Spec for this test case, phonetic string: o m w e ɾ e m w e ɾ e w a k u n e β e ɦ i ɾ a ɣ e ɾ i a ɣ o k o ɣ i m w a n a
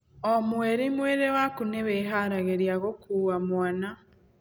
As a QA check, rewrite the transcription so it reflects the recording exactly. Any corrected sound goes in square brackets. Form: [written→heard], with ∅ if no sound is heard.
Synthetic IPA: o m w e ɾ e m w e ɾ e w a k u n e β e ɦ [i→a] ɾ a ɣ e ɾ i a ɣ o k [o→u] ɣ [i→a] m w a n a